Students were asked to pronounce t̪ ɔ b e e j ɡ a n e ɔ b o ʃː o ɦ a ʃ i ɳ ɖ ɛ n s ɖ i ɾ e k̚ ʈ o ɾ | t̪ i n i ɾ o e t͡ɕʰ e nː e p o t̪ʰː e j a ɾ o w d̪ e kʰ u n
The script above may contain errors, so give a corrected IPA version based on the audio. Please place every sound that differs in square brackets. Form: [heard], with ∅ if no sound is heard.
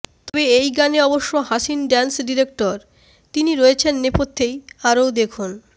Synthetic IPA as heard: t̪ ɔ b e e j ɡ a n e ɔ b o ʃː o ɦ a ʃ i [n] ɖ ɛ n s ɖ i ɾ e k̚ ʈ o ɾ | t̪ i n i ɾ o e t͡ɕʰ e nː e p o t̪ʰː e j a ɾ o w d̪ e kʰ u n

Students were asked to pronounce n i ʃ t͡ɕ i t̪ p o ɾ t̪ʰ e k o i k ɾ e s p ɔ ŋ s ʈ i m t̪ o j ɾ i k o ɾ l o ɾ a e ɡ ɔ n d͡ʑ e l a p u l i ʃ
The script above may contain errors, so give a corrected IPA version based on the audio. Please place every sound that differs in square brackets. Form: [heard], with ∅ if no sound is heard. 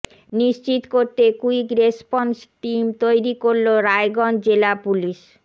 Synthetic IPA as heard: n i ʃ t͡ɕ i t̪ [k] o ɾ [t̪] e k [u] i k ɾ e s p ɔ [n] s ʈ i m t̪ o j ɾ i k o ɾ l o ɾ a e ɡ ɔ n d͡ʑ e l a p u l i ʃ

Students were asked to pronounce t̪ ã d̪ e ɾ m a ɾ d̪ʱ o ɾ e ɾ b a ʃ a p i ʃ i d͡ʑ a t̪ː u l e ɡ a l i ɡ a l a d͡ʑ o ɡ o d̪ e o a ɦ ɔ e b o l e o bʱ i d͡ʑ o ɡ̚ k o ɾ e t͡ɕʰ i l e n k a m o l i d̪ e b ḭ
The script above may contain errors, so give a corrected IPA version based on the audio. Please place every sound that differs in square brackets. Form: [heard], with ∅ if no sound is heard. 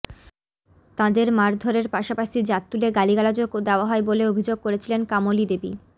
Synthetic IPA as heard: t̪ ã d̪ e ɾ m a ɾ d̪ʱ o ɾ e ɾ [p] a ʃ a p [a] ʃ i d͡ʑ a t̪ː u l e ɡ a l i ɡ a l a d͡ʑ o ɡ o d̪ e o a ɦ ɔ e b o l e o bʱ i d͡ʑ o ɡ̚ k o ɾ e t͡ɕʰ i l e n k a m o l i d̪ e b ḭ

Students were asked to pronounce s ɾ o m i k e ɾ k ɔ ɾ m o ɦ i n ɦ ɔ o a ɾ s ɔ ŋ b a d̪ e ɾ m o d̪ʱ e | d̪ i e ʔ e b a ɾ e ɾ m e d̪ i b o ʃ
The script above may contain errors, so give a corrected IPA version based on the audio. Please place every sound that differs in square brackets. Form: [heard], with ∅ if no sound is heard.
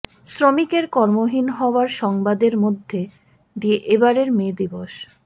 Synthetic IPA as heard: s ɾ o m i k e ɾ k ɔ ɾ m o ɦ i n ɦ ɔ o a ɾ [ʃ] ɔ ŋ b a d̪ e ɾ m o [d̪ʱː] e | d̪ i e ʔ e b a ɾ e ɾ m e d̪ i b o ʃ

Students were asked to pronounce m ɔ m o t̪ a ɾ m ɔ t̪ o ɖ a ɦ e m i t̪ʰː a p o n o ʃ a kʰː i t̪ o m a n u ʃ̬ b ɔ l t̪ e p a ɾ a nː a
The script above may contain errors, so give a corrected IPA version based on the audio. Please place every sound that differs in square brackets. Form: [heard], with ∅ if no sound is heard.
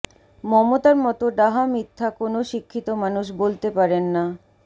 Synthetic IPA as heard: m ɔ m o t̪ a ɾ m ɔ t̪ o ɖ a ɦ [a] m i t̪ʰː a [k] o n o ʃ [i] kʰː i t̪ o m a n u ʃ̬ b [o] l t̪ e p a ɾ [e] nː a

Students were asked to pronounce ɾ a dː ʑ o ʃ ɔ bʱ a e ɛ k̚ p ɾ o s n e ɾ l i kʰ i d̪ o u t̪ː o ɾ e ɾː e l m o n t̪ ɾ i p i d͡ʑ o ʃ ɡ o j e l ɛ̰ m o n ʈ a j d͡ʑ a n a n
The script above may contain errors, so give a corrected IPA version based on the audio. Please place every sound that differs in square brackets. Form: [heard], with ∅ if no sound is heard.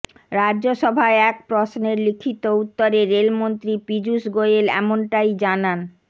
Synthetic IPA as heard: ɾ a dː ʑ o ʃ ɔ bʱ a e ɛ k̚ p ɾ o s n e ɾ l i kʰ i [t̪] o u t̪ː o ɾ e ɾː e l m o n t̪ ɾ i p i d͡ʑ [u] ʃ ɡ o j e l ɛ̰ m o n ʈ a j d͡ʑ a n a n

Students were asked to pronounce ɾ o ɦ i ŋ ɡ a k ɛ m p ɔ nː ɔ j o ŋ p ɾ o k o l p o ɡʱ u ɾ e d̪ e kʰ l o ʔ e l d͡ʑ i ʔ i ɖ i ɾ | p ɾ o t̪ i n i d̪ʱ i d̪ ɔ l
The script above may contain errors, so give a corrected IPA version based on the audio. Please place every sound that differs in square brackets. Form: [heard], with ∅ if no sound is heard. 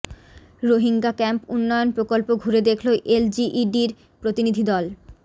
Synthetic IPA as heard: ɾ o ɦ i ŋ ɡ a k ɛ m p [u] nː ɔ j o [n] p ɾ o k o l p o ɡʱ u ɾ e d̪ e kʰ l o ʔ e l d͡ʑ i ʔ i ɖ i ɾ | p ɾ o t̪ i n i d̪ʱ i d̪ ɔ l

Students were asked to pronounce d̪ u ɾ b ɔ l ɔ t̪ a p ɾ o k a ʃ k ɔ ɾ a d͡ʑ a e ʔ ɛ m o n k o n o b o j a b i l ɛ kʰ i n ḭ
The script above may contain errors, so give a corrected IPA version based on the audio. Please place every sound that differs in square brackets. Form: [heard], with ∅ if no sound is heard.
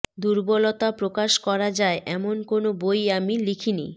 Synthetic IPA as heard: d̪ u ɾ b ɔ l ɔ t̪ a p ɾ o k a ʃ k ɔ ɾ a d͡ʑ a e ʔ ɛ m o n k o n o b o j a [m] i l [i] kʰ i n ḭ

